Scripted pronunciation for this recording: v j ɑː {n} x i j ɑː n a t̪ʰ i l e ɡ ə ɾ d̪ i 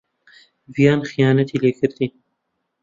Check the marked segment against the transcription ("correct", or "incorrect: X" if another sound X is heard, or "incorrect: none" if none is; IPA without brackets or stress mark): correct